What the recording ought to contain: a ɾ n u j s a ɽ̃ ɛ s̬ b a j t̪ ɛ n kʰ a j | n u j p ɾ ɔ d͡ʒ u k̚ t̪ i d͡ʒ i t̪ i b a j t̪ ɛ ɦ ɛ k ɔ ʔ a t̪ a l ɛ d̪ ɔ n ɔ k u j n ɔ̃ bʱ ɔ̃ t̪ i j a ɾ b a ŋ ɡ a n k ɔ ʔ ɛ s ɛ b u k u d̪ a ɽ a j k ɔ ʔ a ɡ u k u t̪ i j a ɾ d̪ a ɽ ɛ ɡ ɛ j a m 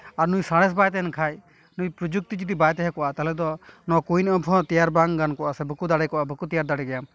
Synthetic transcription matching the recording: a ɾ n u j s a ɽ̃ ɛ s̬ b a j t̪ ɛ n kʰ a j | n u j p ɾ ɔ d͡ʒ u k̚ t̪ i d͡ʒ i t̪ i b a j t̪ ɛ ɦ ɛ k ɔ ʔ a t̪ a l ɛ d̪ ɔ n ɔ k u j n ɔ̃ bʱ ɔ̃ t̪ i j a ɾ b a ŋ ɡ a n k ɔ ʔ a s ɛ b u k u d̪ a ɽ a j k ɔ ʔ a b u k u t̪ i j a ɾ d̪ a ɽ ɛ ɡ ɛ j a m